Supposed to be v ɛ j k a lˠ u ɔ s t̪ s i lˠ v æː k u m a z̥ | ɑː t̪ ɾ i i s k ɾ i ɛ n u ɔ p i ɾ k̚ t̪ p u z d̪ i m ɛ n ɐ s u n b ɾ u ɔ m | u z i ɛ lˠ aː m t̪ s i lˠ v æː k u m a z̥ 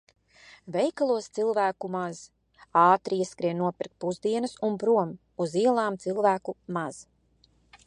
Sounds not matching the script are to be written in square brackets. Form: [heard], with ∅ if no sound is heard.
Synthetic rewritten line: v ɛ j k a lˠ u ɔ s t̪ s i lˠ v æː k u m a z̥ | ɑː t̪ ɾ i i s k ɾ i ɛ n u ɔ p i ɾ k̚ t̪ p u z d̪ i [∅] ɛ n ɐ s u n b ɾ u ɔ m | u z i ɛ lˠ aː m t̪ s i lˠ v æː k u m a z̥